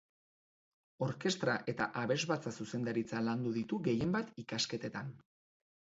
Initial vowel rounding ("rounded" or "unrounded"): rounded